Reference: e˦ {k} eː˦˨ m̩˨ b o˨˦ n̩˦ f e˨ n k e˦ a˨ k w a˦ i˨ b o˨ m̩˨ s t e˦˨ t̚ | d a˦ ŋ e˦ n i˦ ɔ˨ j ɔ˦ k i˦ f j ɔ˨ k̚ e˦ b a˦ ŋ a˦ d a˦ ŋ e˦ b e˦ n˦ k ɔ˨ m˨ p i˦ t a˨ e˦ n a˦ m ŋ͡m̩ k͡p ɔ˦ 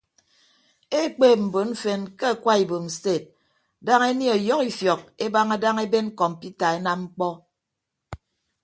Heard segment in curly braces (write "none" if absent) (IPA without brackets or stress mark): k͡p